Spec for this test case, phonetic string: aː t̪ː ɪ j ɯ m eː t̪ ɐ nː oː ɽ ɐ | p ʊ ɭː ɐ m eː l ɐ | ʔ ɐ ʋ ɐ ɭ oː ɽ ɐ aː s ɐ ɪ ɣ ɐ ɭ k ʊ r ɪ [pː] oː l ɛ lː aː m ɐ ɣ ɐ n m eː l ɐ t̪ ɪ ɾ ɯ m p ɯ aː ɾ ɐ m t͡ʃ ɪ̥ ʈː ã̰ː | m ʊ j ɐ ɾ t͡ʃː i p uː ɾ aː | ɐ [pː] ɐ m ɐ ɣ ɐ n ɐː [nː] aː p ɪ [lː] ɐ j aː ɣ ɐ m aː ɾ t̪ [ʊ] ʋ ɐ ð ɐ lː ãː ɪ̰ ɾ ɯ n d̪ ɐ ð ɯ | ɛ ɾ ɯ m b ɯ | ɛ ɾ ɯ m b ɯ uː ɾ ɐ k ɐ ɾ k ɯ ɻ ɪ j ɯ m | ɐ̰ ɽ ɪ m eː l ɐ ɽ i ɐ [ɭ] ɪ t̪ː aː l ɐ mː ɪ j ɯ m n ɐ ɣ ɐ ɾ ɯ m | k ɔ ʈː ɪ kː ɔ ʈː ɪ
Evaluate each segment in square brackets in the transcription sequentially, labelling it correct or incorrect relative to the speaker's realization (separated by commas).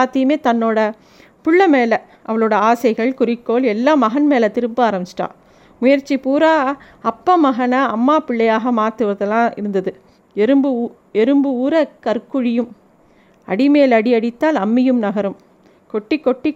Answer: incorrect, correct, incorrect, incorrect, incorrect, incorrect